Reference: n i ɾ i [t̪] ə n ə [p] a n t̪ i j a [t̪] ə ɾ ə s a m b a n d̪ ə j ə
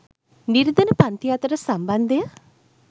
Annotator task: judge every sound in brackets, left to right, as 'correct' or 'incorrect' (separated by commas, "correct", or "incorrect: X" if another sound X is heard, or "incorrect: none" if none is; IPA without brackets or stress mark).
incorrect: d̪, correct, correct